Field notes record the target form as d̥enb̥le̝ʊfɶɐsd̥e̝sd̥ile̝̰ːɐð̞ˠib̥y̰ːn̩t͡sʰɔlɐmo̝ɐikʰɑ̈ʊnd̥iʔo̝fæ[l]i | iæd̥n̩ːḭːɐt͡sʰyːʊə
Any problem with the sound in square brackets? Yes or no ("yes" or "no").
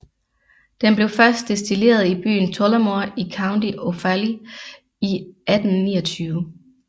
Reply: no